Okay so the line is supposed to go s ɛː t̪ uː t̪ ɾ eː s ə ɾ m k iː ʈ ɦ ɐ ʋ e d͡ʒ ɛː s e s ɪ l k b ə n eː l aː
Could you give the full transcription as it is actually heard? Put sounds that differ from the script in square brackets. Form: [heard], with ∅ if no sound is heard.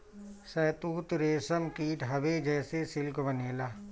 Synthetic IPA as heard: s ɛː t̪ uː t̪ ɾ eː s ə [∅] m k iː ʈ ɦ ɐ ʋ e d͡ʒ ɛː s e s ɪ l k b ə n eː l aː